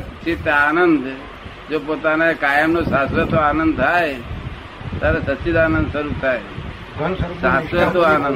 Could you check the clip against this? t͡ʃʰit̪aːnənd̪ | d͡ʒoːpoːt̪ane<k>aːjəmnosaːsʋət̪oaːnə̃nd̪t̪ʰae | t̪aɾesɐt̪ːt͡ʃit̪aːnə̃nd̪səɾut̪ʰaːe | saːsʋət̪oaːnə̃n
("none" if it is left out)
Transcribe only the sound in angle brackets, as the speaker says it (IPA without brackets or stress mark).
k